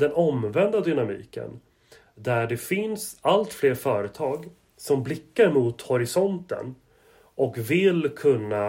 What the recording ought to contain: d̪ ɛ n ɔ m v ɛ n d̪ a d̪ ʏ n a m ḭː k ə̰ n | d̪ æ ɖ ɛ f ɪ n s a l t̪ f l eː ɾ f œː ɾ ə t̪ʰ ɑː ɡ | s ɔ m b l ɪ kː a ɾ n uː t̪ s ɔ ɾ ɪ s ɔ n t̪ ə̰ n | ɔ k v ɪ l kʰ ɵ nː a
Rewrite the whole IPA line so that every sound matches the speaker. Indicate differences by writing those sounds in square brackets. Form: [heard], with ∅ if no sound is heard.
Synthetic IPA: d̪ ɛ n ɔ m v ɛ n d̪ a d̪ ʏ n a m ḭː k ə̰ n | d̪ æ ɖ ɛ f ɪ n s a l t̪ f l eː ɾ f œː ɾ ə t̪ʰ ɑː ɡ | s ɔ m b l ɪ kː a ɾ [m] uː t̪ [h] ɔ ɾ ɪ s ɔ n t̪ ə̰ n | ɔ k v ɪ l kʰ ɵ nː a